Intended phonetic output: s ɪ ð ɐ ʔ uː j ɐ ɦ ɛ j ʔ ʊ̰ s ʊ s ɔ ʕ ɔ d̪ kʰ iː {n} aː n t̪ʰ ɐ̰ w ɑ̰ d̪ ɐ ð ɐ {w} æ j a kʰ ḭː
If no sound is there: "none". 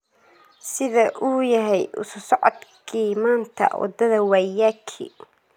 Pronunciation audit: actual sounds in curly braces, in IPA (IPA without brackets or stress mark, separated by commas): m, w